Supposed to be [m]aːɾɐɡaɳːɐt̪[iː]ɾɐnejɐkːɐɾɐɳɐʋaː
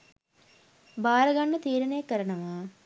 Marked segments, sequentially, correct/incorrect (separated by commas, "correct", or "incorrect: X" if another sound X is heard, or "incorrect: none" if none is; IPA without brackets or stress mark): incorrect: b, correct